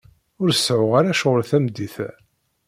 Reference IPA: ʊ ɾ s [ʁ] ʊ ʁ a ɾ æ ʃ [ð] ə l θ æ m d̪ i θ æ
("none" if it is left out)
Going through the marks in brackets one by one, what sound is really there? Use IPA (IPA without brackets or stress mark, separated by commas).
ʕ, ʁ